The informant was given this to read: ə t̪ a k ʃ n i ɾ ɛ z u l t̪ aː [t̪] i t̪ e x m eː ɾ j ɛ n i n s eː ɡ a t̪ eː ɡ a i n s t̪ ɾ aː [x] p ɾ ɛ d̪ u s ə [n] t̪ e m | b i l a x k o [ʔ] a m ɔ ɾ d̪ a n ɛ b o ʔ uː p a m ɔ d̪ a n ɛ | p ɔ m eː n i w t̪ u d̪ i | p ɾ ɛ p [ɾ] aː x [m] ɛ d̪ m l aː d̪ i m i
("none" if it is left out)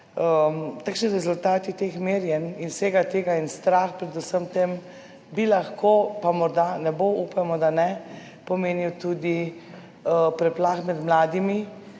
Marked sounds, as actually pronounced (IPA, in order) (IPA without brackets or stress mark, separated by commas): t̪, x, m, p, l, m